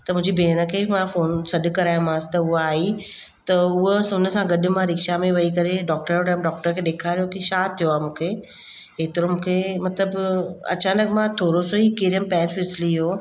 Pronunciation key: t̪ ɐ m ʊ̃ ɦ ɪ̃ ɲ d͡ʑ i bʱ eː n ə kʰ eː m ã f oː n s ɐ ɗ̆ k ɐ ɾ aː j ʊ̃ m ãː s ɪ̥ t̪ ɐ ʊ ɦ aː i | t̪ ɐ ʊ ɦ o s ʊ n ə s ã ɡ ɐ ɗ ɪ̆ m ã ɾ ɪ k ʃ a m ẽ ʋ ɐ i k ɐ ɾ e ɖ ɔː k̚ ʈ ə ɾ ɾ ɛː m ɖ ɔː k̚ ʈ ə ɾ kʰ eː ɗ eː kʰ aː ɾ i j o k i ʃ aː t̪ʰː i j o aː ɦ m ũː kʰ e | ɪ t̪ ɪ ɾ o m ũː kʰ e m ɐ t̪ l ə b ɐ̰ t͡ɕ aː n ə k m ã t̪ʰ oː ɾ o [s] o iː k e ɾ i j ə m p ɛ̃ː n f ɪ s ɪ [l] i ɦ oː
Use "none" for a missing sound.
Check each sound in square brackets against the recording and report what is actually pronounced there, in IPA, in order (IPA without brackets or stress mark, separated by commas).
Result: s, l